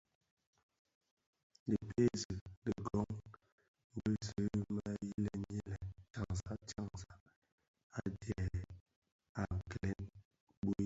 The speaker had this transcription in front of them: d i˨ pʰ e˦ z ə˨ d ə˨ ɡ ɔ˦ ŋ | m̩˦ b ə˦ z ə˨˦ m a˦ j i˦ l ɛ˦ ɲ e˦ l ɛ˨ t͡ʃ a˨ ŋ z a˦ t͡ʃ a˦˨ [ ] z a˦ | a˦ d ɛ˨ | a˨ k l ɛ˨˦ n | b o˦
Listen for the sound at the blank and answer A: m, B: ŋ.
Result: B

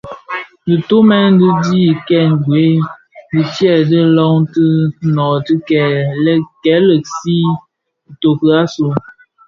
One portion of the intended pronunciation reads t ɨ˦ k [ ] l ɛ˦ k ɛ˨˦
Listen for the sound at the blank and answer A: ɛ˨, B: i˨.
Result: A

